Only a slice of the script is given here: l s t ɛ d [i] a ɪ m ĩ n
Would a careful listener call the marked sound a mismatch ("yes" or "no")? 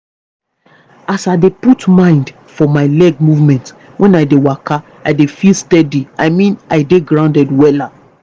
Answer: no